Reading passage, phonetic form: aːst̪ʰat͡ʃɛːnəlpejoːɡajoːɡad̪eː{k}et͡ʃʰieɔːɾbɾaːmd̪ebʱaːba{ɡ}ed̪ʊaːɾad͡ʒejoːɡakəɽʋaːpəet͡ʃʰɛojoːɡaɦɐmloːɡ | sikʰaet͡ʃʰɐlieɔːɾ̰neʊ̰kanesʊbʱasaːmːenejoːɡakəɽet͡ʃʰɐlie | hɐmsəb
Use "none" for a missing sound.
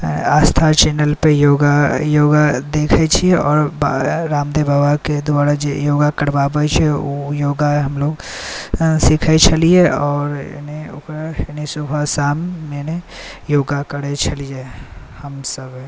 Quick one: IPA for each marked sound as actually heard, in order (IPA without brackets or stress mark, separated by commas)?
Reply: kʰ, k